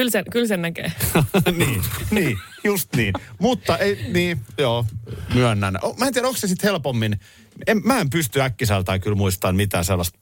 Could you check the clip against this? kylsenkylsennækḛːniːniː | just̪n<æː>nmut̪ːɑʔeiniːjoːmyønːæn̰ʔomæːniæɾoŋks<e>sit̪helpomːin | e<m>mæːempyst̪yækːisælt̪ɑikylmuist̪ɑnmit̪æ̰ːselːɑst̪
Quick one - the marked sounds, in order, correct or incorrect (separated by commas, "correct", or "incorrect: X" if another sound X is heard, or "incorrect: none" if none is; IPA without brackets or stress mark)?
incorrect: iː, correct, correct